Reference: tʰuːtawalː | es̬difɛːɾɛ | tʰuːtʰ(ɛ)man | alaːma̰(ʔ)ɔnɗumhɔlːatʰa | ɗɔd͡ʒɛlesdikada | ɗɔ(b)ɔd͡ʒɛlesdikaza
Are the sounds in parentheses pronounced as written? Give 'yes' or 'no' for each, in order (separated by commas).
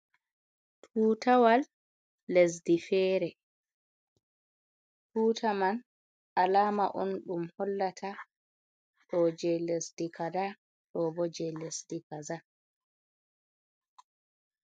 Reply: no, yes, yes